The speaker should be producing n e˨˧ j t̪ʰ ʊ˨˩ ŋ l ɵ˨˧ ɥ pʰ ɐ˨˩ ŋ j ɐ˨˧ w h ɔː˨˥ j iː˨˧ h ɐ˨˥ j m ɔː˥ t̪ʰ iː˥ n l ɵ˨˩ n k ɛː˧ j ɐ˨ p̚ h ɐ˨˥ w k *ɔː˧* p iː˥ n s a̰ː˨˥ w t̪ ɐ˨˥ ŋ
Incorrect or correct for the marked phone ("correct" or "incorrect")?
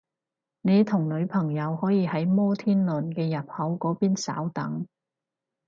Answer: incorrect